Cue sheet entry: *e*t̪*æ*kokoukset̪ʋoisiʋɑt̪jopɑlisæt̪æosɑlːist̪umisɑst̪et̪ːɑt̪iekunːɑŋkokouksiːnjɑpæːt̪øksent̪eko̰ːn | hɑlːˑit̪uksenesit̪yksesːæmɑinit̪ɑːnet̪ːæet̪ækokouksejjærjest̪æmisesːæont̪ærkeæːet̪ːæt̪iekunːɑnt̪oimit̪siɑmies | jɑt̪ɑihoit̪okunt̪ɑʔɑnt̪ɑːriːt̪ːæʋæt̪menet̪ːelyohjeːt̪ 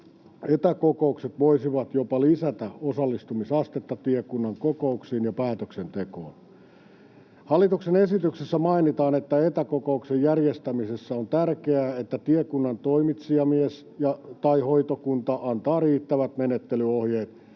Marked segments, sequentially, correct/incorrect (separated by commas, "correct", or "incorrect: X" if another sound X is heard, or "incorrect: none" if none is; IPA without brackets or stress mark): correct, correct